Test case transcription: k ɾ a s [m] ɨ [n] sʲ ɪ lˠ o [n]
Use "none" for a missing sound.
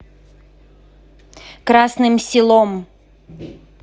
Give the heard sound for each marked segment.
n, m, m

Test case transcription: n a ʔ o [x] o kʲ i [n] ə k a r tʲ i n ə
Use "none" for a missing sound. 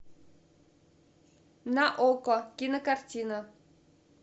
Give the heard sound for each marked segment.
k, n

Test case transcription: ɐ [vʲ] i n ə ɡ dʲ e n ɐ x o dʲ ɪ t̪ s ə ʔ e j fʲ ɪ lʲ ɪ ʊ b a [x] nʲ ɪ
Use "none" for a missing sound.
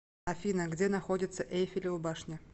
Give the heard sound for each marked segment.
fʲ, ʂ

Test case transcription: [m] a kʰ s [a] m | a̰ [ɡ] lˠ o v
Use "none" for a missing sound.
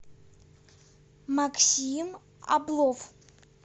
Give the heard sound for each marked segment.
m, i, b

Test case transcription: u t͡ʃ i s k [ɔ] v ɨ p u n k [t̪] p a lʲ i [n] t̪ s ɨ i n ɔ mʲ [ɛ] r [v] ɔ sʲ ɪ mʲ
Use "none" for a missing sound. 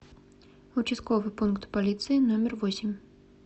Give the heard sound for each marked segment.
ɔ, t̪, none, ɛ, v

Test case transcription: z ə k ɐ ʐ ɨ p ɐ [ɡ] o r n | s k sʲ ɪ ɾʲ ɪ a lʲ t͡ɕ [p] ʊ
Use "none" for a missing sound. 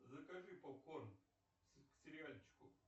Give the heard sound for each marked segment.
k, k

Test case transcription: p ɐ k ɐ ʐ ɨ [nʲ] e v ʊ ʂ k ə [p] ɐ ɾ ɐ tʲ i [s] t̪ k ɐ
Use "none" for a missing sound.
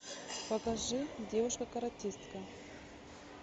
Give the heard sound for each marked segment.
dʲ, k, s

